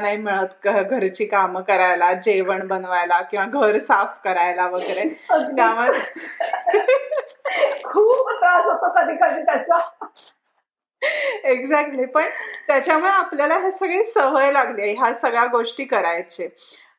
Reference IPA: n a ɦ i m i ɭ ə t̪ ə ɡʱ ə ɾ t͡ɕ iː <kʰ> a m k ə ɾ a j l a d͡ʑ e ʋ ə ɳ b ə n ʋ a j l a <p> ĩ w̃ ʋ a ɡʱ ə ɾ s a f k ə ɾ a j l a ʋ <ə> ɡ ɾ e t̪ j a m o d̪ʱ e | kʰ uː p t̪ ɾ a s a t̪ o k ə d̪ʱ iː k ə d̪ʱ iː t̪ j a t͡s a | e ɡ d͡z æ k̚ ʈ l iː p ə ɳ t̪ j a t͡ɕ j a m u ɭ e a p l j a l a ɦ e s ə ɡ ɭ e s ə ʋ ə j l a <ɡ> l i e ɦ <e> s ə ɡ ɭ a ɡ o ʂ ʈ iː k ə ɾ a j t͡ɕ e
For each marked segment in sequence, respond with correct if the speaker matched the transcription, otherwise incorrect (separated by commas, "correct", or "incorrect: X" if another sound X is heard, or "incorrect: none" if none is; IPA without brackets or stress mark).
incorrect: k, incorrect: k, correct, correct, incorrect: a